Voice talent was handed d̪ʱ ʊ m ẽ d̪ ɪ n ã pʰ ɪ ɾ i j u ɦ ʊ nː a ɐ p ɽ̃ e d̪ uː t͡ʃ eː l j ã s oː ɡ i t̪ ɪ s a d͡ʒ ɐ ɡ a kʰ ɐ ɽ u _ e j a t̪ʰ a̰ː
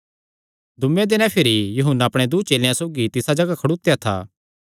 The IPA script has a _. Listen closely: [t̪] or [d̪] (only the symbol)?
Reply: t̪